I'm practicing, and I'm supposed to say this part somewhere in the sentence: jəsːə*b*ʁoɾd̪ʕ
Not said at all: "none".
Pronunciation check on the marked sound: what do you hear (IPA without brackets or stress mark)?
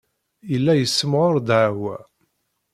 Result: m